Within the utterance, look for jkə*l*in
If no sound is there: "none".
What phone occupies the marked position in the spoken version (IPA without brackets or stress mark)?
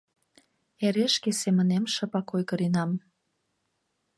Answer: ɾ